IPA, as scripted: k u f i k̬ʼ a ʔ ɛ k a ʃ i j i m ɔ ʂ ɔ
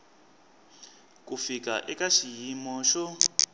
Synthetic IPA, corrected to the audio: k u f i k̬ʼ a ʔ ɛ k a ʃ i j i m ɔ ʃ ɔ